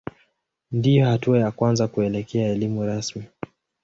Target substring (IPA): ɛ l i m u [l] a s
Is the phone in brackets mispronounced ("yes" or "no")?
yes